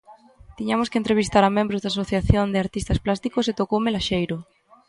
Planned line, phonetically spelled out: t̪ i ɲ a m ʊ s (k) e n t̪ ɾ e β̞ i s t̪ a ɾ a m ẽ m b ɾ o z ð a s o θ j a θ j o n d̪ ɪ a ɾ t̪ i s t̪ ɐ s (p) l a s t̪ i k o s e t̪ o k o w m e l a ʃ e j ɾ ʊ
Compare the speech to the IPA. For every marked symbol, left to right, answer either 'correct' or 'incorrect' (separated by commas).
correct, correct